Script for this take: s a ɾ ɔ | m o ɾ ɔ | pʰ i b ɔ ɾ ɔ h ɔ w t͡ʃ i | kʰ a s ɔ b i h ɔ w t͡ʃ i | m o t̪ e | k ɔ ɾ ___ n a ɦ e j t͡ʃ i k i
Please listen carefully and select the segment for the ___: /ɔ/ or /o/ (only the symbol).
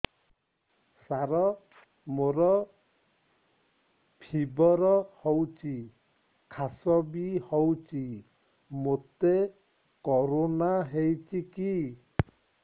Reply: o